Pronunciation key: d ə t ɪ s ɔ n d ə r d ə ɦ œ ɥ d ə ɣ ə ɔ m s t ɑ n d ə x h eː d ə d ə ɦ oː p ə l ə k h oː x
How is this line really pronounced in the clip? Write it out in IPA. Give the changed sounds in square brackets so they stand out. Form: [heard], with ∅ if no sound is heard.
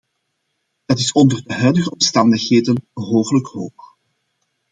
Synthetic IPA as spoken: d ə t ɪ s ɔ n d ə r d ə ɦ œ ɥ d ə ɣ ə ɔ m s t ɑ n d ə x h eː d ə [n] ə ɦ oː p ə l ə k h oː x